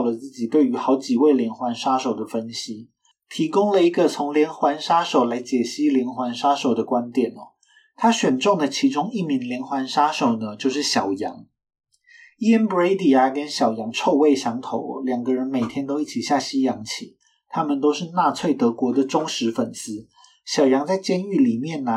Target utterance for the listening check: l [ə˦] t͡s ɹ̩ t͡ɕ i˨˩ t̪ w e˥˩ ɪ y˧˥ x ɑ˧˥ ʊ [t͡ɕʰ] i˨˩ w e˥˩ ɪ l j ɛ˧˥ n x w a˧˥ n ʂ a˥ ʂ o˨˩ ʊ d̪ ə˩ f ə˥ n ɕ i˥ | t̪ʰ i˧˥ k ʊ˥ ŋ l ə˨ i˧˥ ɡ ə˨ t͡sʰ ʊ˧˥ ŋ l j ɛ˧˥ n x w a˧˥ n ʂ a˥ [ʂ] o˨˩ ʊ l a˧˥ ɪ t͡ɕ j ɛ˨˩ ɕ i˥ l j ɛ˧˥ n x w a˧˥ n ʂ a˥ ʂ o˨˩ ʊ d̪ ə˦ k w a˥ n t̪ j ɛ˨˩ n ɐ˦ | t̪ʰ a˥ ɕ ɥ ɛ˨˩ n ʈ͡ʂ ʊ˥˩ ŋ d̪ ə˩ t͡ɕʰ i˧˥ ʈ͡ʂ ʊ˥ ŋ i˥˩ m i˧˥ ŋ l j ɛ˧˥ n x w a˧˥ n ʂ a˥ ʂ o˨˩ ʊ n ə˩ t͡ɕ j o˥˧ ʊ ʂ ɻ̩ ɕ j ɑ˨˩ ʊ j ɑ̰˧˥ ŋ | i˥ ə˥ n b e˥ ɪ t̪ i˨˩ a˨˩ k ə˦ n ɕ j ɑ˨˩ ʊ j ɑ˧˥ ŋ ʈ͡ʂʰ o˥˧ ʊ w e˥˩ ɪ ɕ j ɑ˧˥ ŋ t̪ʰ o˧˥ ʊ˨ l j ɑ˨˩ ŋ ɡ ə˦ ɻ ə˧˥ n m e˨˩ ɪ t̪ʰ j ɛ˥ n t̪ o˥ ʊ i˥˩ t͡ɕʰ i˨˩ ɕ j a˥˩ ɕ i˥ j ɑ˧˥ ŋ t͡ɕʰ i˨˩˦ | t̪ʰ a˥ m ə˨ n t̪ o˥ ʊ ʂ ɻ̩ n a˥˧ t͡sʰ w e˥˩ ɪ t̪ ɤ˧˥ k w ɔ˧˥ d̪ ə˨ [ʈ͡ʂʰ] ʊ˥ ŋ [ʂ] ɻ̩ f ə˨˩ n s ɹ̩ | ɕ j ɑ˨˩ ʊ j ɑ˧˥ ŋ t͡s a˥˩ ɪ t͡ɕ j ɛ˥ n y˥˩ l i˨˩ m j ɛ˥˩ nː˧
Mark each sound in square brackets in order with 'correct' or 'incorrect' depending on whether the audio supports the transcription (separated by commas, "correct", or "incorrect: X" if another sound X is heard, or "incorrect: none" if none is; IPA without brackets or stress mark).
incorrect: ə˩, incorrect: t͡ɕ, correct, incorrect: ʈ͡ʂ, correct